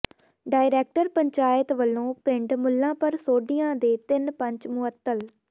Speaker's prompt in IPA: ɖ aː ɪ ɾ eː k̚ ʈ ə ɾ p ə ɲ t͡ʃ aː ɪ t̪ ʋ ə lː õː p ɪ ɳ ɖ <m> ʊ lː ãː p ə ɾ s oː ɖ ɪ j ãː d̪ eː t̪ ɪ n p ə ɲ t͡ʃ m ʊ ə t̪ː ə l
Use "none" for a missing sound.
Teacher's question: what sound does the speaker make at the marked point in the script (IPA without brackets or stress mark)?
m